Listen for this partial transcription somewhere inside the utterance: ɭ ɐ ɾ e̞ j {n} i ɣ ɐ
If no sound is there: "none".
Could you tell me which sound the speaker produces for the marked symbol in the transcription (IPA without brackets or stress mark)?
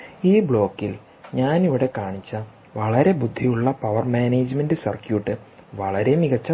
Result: m